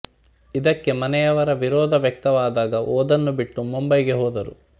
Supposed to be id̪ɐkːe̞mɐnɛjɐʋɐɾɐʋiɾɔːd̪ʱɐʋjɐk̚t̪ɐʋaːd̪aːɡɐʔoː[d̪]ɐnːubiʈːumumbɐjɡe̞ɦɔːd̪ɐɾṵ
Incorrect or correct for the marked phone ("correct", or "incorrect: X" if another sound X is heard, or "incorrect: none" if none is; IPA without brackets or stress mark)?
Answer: correct